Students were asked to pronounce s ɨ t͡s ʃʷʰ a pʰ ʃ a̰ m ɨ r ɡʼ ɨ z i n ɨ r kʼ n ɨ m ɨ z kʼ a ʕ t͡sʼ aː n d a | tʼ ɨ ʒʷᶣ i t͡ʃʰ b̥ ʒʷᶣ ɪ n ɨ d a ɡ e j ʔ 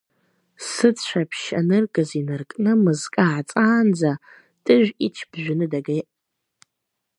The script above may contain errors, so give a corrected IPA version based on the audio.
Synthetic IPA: s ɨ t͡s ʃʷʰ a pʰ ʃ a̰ n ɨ r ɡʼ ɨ z i n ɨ r kʼ n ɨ m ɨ z kʼ a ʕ t͡sʼ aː n d͡z a | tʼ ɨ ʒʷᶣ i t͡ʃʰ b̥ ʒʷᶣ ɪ n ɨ d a ɡ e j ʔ